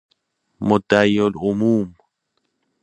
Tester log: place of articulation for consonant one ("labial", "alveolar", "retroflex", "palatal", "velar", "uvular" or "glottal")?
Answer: labial